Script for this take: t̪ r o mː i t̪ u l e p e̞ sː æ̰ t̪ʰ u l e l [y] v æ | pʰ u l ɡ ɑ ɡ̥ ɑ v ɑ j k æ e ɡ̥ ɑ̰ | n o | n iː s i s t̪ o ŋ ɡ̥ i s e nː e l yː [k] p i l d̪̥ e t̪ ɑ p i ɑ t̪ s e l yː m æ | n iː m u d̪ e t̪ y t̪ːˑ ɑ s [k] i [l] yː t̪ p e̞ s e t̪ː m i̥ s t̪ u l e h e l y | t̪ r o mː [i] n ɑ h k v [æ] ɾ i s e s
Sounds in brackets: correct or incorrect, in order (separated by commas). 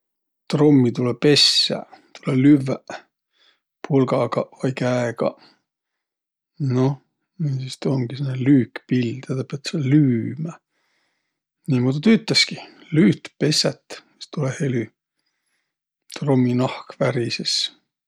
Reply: correct, correct, correct, correct, correct, correct